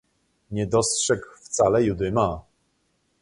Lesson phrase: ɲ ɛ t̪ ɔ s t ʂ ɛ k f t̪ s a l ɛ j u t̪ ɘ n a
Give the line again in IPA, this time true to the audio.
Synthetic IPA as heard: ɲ ɛ d̪ ɔ s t ʂ ɛ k f t̪ s a l ɛ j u d̪ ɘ m a